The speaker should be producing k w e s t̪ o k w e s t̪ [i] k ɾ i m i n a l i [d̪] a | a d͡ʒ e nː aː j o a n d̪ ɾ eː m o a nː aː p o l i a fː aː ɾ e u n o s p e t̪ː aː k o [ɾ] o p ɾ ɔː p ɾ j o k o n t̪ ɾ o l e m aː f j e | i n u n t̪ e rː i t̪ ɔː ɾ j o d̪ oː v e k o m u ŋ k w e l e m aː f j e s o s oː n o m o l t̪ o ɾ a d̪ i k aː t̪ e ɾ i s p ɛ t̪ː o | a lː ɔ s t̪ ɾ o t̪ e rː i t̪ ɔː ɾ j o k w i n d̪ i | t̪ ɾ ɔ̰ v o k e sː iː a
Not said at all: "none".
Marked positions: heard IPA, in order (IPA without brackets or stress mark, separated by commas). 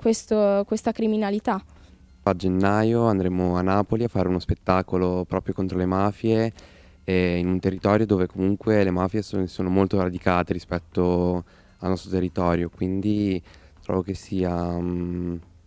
a, t̪, l